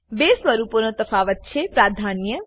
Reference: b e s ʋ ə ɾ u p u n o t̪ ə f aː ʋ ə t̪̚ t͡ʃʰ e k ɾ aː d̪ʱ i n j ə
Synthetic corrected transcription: b e s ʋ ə ɾ u p o n o t̪ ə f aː ʋ ə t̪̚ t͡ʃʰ e p ɾ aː d̪ʱ a n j ə